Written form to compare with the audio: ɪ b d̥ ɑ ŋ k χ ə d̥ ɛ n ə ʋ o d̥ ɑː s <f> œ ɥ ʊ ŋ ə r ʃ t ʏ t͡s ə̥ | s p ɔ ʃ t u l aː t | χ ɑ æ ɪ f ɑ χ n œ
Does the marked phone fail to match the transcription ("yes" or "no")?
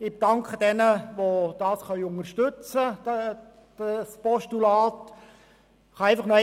yes